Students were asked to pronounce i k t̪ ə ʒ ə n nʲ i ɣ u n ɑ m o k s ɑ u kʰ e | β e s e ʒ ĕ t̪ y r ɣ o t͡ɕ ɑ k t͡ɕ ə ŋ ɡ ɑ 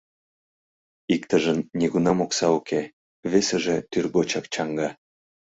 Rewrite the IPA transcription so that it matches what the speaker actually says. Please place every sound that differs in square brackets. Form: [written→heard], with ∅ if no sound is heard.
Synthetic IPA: i k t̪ ə ʒ ə n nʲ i ɣ u n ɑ m o k s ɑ u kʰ e | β e s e ʒ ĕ t̪ y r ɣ o t͡ɕ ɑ k t͡ɕ [ə→ɑ] ŋ ɡ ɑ